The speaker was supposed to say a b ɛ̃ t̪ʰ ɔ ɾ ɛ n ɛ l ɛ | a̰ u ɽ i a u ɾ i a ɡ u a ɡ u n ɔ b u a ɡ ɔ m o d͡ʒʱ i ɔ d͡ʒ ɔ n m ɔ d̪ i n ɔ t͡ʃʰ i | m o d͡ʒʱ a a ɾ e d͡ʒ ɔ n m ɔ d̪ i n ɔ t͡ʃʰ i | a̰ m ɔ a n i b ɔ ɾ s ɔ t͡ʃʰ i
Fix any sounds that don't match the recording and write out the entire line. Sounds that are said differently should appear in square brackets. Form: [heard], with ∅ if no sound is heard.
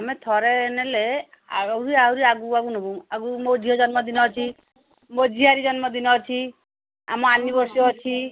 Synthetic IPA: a [m] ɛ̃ t̪ʰ ɔ ɾ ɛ n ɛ l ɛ | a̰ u [ɾ] i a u ɾ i a ɡ u a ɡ u n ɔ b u a ɡ [u] m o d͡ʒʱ i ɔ d͡ʒ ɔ n m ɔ d̪ i n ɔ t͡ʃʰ i | m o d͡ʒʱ [i] a ɾ [i] d͡ʒ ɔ n m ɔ d̪ i n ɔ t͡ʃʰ i | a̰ m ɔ a n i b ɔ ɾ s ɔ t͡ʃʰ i